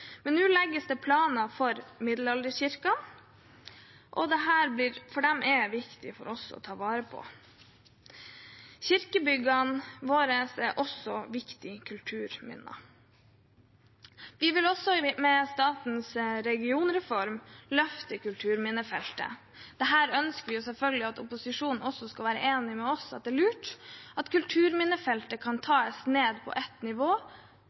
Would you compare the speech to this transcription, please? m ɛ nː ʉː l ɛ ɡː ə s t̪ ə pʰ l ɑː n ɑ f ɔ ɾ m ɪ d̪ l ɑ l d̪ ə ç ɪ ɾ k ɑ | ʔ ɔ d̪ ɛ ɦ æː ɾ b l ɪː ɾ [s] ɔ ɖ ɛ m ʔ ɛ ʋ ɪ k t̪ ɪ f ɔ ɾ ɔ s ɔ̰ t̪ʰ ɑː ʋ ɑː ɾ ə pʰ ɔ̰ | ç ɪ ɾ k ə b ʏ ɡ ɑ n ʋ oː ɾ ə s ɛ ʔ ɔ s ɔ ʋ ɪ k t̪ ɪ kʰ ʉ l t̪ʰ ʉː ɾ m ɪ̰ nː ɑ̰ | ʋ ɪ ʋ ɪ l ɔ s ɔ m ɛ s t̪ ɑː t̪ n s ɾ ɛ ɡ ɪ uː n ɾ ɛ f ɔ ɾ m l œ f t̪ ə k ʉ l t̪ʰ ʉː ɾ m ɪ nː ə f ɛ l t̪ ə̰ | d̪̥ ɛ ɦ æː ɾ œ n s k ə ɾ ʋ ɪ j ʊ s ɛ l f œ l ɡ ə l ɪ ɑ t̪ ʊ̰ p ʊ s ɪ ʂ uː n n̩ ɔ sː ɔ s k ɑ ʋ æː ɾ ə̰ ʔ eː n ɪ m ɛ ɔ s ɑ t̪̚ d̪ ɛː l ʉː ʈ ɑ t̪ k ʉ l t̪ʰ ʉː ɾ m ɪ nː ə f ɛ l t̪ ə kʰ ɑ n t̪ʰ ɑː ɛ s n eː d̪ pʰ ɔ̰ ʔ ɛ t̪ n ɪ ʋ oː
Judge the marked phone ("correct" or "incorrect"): incorrect